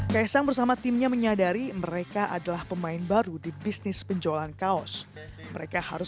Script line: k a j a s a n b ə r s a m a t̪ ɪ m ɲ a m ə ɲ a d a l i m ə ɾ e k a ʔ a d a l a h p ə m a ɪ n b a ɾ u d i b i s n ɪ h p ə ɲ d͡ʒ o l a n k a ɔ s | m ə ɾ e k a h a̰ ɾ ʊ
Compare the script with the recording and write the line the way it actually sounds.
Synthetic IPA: k a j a s a ŋ b ə r s a m a t̪ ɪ m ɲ a m ə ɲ a d a ɾ i m ə ɾ e k a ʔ a d a l a h p ə m a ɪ n b a ɾ u d i b i s n ɪ s p ə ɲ d͡ʒ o l a n k a ɔ s | m ə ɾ e k a h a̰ ɾ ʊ